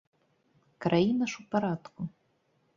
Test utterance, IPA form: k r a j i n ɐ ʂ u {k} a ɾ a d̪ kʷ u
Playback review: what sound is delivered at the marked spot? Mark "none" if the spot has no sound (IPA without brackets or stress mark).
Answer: p